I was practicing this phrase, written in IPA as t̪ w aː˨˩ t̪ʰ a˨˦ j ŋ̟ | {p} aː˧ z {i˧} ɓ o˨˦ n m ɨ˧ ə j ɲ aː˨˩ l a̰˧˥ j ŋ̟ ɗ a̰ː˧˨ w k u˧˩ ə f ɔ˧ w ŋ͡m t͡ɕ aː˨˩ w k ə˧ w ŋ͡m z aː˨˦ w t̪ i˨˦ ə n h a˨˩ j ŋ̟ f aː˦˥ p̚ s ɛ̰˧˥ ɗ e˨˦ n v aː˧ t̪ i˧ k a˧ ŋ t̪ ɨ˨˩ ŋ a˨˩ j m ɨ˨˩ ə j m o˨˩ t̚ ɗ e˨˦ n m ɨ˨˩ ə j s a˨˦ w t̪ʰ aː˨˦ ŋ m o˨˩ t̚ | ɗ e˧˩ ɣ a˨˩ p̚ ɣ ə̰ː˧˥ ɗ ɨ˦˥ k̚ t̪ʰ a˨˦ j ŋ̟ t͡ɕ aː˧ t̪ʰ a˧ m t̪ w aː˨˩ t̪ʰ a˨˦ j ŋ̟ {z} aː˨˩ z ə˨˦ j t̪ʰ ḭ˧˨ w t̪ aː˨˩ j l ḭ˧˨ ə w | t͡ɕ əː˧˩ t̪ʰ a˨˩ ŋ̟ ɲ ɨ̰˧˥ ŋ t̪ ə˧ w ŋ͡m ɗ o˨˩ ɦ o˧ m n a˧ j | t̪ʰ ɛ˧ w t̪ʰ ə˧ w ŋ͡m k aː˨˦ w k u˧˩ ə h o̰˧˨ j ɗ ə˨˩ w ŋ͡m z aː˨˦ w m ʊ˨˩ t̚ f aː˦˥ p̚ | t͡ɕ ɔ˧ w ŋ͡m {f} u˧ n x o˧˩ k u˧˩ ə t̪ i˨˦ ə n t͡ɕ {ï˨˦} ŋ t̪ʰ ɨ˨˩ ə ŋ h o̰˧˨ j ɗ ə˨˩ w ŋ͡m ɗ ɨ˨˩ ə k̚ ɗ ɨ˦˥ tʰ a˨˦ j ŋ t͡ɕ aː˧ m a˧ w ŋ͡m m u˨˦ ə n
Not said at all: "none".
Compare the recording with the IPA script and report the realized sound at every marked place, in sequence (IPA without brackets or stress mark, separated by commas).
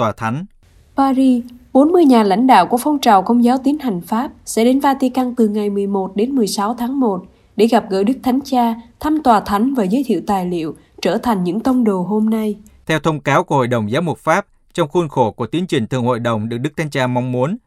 p, i˧, v, x, ï˨˩